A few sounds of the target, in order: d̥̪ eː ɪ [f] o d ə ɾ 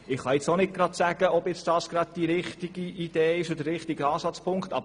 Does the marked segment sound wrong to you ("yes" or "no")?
yes